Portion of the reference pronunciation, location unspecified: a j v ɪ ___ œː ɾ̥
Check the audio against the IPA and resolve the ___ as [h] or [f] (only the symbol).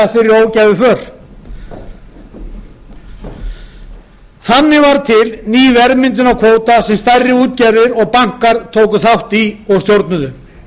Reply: f